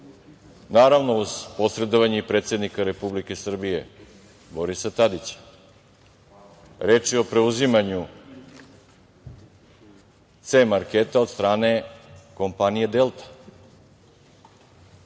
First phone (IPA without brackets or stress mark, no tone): n